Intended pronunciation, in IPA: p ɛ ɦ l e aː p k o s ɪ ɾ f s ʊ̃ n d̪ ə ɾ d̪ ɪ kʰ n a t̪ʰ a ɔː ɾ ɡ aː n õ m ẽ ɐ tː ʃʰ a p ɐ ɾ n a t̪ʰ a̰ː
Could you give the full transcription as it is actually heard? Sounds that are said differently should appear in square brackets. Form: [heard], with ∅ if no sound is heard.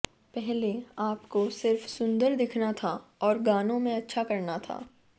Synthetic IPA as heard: p ɛ ɦ l e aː p k o s ɪ ɾ f s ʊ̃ n d̪ ə ɾ d̪ ɪ kʰ n a t̪ʰ a ɔː ɾ ɡ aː n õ m ẽ ɐ tː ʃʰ a [k] ɐ ɾ n a t̪ʰ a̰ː